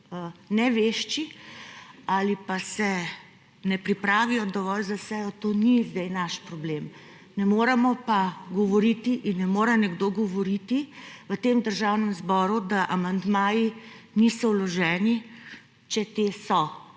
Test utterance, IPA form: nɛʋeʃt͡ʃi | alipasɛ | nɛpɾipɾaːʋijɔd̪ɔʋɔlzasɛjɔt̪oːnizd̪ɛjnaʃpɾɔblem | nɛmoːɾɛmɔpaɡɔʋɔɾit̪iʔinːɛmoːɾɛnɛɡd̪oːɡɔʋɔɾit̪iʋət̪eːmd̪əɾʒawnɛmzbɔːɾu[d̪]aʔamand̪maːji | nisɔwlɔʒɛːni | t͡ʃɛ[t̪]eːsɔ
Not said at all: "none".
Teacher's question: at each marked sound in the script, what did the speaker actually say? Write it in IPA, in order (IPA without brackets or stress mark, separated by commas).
d̪, t̪